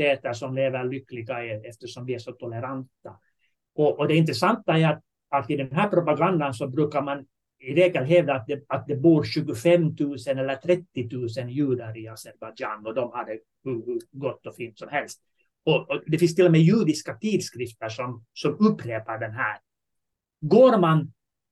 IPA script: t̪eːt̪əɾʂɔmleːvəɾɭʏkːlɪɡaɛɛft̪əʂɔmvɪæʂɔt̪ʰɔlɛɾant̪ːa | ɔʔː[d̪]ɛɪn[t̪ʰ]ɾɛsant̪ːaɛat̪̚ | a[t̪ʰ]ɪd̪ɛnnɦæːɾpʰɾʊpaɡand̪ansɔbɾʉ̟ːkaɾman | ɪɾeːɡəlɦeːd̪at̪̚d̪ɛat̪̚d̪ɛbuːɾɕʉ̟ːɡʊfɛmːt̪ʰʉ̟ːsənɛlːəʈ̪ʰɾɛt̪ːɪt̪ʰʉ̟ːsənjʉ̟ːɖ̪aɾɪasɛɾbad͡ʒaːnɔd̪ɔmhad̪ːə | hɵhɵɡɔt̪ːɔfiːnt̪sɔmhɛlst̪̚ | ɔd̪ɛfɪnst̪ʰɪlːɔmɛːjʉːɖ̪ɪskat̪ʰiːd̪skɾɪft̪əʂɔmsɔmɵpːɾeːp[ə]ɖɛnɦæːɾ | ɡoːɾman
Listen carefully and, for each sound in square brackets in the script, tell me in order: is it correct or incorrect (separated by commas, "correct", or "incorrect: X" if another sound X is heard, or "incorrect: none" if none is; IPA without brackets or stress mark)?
correct, incorrect: t̪, incorrect: t̪, incorrect: a